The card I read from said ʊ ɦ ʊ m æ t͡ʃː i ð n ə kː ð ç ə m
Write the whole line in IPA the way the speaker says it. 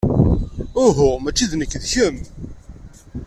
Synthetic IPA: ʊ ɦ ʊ m æ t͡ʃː i ð n ə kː ð ç ə m